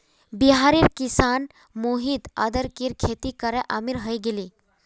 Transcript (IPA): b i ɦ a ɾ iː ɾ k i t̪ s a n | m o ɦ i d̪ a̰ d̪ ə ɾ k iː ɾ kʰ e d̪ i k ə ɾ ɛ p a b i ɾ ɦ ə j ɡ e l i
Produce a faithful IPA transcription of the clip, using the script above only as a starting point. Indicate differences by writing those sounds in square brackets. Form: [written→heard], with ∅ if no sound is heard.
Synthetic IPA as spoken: b i ɦ a ɾ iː ɾ k i [t̪→∅] s a n | m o ɦ i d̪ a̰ d̪ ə ɾ k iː ɾ kʰ e [d̪→t̪] i k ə ɾ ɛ [p→ʔ] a [b→m] i ɾ ɦ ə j ɡ e l i